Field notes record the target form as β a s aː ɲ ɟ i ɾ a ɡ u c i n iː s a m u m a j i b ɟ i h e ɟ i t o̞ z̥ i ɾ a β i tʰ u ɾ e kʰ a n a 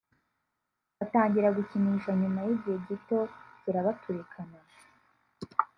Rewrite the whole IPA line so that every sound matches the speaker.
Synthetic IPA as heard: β a t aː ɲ ɟ i ɾ a ɡ u c i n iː ʃ a ɲ u m a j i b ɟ i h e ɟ i t o̞ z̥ i ɾ a β a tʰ u ɾ e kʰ a n a

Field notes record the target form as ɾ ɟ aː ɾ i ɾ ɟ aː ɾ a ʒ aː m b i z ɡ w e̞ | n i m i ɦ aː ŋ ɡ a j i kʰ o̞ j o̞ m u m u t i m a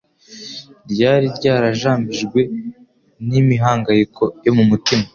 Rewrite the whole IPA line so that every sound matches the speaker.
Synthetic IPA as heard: ɾ ɟ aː ɾ i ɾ ɟ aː ɾ a ʒ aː m b i ʒ ɡ w e̞ | n i m i ɦ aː ŋ ɡ a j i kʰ o̞ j o̞ m u m u t i m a

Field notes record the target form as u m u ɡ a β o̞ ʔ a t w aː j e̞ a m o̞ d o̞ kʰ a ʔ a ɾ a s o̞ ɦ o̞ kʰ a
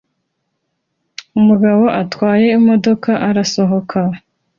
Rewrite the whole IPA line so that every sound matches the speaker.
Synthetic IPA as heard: u m u ɡ a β o̞ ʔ a t w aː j e̞ i m o̞ d o̞ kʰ a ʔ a ɾ a s o̞ ɦ o̞ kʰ a

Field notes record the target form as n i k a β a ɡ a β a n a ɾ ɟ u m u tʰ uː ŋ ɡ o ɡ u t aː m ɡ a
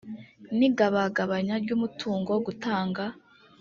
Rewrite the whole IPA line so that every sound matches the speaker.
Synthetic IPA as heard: n i ɡ a β a ɡ a β a ɲ a ɾ ɟ u m u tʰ uː ŋ ɡ o ɡ u t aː ŋ ɡ a

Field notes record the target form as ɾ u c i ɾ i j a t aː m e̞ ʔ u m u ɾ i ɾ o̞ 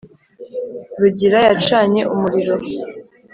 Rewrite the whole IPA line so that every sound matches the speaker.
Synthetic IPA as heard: ɾ u ɟ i ɾ a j a t͡ʃ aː ɲ e̞ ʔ u m u ɾ i ɾ o̞

